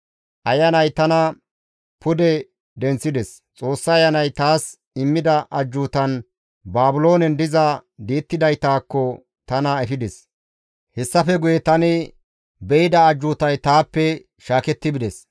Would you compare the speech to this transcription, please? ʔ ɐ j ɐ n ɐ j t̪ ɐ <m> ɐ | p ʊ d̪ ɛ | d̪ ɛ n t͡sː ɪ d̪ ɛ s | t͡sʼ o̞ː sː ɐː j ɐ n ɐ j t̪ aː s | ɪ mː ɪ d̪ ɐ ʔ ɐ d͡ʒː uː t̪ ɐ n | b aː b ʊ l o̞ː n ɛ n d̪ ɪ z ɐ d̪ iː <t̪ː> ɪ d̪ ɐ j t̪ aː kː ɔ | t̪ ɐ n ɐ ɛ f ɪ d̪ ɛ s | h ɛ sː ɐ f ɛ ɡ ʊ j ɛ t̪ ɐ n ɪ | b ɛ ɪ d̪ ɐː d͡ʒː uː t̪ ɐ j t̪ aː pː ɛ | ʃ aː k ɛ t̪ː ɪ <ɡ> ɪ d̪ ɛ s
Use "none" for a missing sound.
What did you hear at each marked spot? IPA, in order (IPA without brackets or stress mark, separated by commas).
n, t̪ː, b